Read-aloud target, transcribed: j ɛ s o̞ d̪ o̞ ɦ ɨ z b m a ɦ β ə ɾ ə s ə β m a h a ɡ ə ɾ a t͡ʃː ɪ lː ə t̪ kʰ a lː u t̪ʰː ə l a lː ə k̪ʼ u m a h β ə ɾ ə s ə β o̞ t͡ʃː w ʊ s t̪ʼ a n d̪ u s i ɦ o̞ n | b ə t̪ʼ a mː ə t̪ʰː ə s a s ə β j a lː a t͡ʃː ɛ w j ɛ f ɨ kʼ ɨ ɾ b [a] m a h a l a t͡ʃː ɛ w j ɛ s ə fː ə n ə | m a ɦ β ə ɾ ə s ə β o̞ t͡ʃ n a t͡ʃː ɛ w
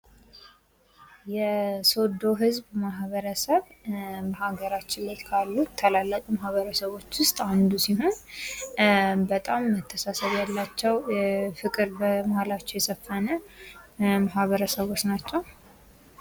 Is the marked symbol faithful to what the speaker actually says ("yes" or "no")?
no